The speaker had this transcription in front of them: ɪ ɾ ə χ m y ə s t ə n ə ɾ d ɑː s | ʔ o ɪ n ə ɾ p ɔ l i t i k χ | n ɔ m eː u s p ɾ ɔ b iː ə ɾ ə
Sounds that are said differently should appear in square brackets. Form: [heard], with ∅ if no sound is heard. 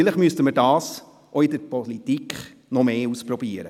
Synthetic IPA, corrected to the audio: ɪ [l] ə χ m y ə s t ə [m] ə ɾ d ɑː s | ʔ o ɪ [d] ə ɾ p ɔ l i t i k χ | n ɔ m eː u s p ɾ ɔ b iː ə ɾ ə